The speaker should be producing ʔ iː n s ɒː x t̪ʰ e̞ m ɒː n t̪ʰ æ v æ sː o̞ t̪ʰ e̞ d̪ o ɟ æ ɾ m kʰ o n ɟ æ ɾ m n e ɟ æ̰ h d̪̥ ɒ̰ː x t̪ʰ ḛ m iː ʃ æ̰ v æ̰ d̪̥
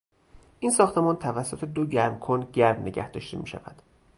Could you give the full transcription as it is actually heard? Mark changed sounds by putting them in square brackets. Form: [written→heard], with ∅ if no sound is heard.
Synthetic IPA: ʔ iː n s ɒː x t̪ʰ e̞ m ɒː n t̪ʰ æ v æ sː o̞ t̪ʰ e̞ d̪ o ɟ æ ɾ m kʰ o n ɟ æ ɾ m n e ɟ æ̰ h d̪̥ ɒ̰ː [x→ʃ] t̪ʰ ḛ m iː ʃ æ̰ v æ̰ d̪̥

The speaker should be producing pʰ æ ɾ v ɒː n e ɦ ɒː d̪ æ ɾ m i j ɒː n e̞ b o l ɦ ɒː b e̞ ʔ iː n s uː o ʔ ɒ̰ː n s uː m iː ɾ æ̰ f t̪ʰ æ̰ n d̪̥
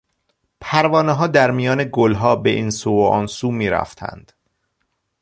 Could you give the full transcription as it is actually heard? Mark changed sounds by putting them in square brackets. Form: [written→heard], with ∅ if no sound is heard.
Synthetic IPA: pʰ æ ɾ v ɒː n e ɦ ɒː d̪ æ ɾ m i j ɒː n e̞ [b→ɡ] o l ɦ ɒː b e̞ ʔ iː n s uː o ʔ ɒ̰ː n s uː m iː ɾ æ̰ f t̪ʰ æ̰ n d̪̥

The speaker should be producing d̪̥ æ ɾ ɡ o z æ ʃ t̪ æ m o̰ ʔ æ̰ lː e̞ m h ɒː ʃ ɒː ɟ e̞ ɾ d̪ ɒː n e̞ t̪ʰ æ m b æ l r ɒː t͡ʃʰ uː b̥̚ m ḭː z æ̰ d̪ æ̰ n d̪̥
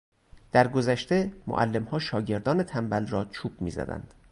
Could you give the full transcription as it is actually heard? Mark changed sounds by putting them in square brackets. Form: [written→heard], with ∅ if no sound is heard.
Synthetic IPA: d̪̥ æ ɾ ɡ o z æ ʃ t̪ [æ→e] m o̰ ʔ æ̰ lː e̞ m h ɒː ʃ ɒː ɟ e̞ ɾ d̪ ɒː n e̞ t̪ʰ æ m b æ l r ɒː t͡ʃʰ uː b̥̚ m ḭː z æ̰ d̪ æ̰ n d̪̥

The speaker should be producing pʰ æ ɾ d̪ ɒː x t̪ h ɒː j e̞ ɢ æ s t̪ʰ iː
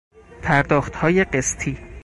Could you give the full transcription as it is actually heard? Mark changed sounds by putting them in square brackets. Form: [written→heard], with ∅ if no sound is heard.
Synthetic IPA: pʰ æ ɾ d̪ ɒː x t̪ h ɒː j e̞ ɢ [æ→e] s t̪ʰ iː

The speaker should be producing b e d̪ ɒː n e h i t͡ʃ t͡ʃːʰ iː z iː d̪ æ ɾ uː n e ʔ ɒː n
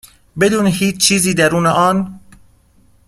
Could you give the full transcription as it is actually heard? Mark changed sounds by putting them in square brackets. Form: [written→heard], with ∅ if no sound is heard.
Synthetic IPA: b e d̪ [ɒː→uː] n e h [i→iː] t͡ʃ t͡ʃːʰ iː z iː d̪ æ ɾ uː n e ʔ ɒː n

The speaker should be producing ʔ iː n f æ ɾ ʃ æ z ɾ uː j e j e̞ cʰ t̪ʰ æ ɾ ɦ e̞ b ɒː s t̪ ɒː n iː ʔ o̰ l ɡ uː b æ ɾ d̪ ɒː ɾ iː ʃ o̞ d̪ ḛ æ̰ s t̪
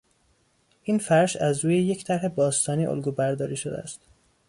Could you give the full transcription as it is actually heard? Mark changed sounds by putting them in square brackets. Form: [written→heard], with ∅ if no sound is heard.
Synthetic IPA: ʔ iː n f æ ɾ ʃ æ z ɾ uː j e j e̞ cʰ t̪ʰ æ ɾ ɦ e̞ b ɒː s t̪ ɒː n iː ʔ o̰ l ɡ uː b æ ɾ d̪ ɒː ɾ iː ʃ o̞ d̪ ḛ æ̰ s t̪

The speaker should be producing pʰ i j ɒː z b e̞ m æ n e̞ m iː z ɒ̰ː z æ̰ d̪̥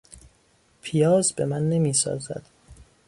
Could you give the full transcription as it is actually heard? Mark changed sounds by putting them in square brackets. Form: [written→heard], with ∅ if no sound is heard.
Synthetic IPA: pʰ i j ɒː z b e̞ m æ [n→nː] e̞ m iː [z→s] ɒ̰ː z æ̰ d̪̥

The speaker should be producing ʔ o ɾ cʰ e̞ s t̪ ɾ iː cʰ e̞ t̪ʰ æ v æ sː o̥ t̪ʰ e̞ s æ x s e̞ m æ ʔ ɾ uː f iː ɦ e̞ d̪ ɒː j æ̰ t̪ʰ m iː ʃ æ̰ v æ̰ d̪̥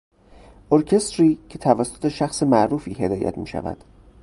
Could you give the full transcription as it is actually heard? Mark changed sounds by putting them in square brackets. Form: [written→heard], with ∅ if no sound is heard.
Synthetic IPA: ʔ o ɾ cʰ e̞ s t̪ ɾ iː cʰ e̞ t̪ʰ æ v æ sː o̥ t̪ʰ e̞ [s→ʃ] æ x s e̞ m æ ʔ ɾ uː f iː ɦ e̞ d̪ ɒː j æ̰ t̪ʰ m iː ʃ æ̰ v æ̰ d̪̥

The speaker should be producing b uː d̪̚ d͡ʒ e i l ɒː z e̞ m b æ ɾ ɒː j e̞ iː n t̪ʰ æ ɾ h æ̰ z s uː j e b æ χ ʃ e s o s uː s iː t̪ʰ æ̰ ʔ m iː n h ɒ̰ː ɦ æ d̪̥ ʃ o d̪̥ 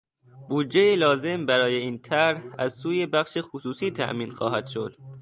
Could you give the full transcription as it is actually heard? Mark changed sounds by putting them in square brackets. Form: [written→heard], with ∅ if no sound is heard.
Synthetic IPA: b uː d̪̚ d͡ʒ e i l ɒː z e̞ m b æ ɾ ɒː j e̞ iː n t̪ʰ æ ɾ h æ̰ z s uː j e b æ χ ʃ e [s→x] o s uː s iː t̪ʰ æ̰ ʔ m iː n [h→x] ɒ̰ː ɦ æ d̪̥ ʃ o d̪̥

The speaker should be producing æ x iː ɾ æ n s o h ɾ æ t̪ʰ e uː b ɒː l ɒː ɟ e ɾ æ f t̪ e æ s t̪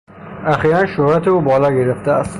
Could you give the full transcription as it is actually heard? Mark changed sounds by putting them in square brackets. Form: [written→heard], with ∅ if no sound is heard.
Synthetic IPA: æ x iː ɾ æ n [s→ʃ] o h ɾ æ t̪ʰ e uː b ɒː l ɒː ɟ e ɾ [æ→e] f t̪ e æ s t̪

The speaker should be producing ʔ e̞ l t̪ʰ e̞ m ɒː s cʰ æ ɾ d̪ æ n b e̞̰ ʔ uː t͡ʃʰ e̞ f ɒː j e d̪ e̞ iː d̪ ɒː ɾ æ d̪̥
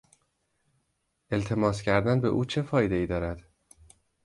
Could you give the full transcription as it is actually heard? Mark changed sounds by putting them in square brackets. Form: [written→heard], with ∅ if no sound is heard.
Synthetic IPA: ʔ e̞ l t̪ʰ e̞ m ɒː s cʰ æ ɾ d̪ æ n b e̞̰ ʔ uː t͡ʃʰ e̞ f ɒː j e d̪ e̞ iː d̪ ɒː ɾ æ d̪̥

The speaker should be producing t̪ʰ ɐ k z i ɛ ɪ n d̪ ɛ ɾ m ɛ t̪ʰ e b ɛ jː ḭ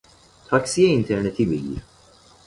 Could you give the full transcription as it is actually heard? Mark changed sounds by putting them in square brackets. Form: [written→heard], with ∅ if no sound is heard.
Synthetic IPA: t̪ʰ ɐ k [z→s] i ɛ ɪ n [d̪→t̪] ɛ ɾ [m→n] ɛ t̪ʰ [e→i] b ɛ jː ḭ

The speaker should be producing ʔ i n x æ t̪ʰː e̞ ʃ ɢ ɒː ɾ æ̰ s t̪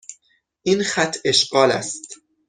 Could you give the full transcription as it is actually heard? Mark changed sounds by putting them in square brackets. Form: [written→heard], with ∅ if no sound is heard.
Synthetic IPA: ʔ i n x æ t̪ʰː e̞ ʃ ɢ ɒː [ɾ→l] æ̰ s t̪

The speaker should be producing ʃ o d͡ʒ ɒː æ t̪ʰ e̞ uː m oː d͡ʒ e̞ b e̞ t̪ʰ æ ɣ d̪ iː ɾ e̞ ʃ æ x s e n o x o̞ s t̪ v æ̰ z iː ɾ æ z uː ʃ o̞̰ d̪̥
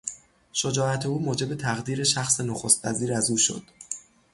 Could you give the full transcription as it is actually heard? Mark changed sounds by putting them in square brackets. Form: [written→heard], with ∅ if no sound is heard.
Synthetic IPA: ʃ o d͡ʒ ɒː æ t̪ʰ e̞ uː m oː d͡ʒ e̞ b e̞ t̪ʰ æ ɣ d̪ iː ɾ e̞ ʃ æ x s e n o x o̞ s t̪ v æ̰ z iː ɾ æ z uː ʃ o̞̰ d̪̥

